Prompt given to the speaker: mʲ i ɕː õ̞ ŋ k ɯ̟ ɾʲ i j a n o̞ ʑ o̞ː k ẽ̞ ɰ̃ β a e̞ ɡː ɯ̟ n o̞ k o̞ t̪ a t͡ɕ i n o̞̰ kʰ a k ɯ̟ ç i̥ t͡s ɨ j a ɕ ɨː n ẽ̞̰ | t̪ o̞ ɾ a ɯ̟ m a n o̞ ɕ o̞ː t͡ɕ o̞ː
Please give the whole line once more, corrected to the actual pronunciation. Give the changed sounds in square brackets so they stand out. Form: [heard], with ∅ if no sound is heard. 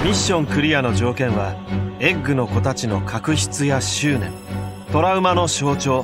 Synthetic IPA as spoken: mʲ i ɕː õ̞ ŋ k ɯ̟ ɾʲ i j a n o̞ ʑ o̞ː k ẽ̞ ɰ̃ β a e̞ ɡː ɯ̟ n o̞ k o̞ t̪ a t͡ɕ i n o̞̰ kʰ a k ɯ̟ ç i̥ t͡s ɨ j a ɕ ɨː n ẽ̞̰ | t̪ o̞ ɾ a ɯ̟ m a n o̞ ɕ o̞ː t͡ɕ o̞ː

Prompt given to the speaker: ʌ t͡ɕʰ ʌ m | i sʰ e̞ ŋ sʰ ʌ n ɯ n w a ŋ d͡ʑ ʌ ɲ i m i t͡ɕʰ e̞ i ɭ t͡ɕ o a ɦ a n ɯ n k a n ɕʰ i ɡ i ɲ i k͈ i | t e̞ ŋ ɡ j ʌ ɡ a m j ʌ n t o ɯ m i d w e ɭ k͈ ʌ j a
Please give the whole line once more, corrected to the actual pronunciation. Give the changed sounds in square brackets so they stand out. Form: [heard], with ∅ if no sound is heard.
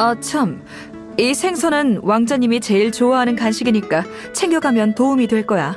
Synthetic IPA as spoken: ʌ t͡ɕʰ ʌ m | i sʰ e̞ ŋ sʰ ʌ n ɯ n w a ŋ d͡ʑ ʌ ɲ i m i [t͡ɕ] e̞ i ɭ t͡ɕ o a ɦ a n ɯ n k a n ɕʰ i ɡ i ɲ i k͈ [a] | [t͡ɕʰ] e̞ ŋ ɡ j ʌ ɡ a m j ʌ n t o [u] m i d w e ɭ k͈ ʌ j a

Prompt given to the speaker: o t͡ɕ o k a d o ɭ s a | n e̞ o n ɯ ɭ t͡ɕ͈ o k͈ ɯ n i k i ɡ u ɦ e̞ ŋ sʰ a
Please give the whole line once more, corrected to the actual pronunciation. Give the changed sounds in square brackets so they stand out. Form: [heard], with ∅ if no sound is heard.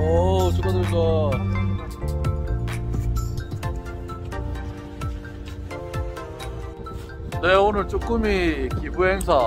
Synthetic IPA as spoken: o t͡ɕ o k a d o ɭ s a | n e̞ o n ɯ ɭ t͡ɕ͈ o k͈ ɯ [m] i k i [b] u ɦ e̞ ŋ sʰ a

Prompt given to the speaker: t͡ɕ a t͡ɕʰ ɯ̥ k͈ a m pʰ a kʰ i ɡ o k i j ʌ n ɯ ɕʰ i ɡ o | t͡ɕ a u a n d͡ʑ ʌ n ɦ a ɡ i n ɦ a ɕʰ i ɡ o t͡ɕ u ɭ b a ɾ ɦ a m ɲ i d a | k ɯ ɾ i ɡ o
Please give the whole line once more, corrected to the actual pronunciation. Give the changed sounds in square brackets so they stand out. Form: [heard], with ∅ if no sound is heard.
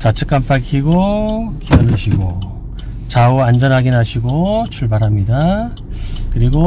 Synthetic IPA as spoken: t͡ɕ a t͡ɕʰ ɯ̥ k͈ a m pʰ a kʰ i ɡ o k i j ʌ n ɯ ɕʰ i ɡ o | t͡ɕ a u a n d͡ʑ ʌ n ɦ a ɡ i n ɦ a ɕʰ i ɡ o [t͡ɕʰ] u ɭ b a ɾ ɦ a m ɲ i d a | k ɯ ɾ i ɡ o

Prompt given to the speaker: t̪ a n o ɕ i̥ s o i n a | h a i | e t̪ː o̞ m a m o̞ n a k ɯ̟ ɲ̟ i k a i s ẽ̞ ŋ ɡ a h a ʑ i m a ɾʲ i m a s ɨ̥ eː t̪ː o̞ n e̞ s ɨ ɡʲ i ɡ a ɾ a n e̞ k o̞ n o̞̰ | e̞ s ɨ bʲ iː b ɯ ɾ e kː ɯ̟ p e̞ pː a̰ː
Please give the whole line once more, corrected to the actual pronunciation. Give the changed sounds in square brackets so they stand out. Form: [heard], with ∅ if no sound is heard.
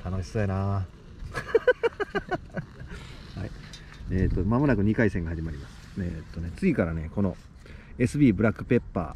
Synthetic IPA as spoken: t̪ a n o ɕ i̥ s o i n a | h a i | e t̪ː o̞ m a m o̞ n a k ɯ̟ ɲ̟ i k a i s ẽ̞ ŋ ɡ a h a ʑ i m a ɾʲ i m a s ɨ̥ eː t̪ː o̞ n e̞ [t͡s] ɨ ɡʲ i [k] a ɾ a n e̞ k o̞ n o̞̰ | e̞ s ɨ bʲ iː b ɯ ɾ [a] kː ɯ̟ p e̞ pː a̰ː

